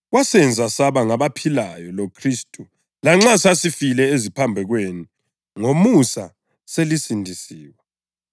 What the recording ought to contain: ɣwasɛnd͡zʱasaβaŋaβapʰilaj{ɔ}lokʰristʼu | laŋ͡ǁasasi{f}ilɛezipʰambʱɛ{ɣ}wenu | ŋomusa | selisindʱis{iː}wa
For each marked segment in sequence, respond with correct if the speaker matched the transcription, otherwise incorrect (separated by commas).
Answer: correct, correct, correct, correct